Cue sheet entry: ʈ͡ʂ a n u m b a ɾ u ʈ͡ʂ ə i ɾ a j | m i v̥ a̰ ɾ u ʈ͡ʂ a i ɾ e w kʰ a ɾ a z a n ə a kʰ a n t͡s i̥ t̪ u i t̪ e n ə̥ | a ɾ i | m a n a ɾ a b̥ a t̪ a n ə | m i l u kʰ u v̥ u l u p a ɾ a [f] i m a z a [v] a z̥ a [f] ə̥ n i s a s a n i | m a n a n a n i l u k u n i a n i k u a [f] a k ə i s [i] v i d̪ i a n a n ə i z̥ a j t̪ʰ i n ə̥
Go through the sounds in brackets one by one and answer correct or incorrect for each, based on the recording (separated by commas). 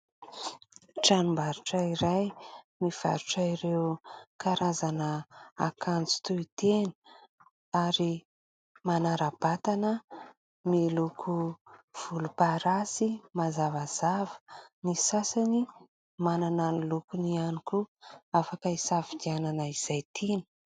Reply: incorrect, correct, incorrect, correct, incorrect